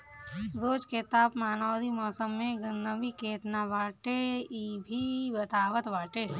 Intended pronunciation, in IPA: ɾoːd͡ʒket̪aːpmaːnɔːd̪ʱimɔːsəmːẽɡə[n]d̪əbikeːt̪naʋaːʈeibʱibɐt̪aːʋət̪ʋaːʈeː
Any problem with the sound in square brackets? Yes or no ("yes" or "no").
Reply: no